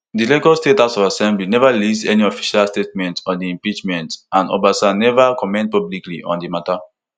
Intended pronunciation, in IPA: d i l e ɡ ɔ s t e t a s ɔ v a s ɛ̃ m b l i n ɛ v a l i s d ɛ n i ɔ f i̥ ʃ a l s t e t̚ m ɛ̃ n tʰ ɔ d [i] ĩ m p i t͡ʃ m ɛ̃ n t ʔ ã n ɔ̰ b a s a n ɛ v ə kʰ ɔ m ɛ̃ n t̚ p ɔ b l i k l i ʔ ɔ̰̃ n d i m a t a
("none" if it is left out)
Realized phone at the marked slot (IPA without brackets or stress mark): i